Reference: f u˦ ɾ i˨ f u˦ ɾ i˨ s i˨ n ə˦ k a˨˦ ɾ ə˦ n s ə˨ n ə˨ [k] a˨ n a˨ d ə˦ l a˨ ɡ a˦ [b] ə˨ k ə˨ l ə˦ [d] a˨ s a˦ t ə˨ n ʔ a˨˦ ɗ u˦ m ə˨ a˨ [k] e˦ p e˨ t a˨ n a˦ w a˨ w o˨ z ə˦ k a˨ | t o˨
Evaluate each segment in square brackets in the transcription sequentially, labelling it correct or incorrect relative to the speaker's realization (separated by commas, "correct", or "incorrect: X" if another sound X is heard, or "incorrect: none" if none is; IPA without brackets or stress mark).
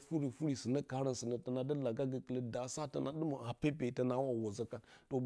incorrect: t, incorrect: ɡ, correct, incorrect: p